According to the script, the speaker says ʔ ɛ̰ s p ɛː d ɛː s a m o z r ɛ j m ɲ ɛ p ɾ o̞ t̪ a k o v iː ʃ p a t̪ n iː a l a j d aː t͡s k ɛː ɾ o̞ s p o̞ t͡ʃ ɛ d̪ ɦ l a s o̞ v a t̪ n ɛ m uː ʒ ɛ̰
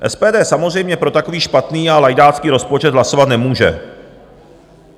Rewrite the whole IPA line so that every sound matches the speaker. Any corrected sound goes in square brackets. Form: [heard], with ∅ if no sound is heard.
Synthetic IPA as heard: ʔ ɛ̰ s p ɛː d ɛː s a m o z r ɛ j m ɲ ɛ p ɾ o̞ t̪ a k o v iː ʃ p a t̪ n iː a l a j d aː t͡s k [iː] ɾ o̞ s p o̞ t͡ʃ ɛ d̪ ɦ l a s o̞ v a t̪ n ɛ m uː ʒ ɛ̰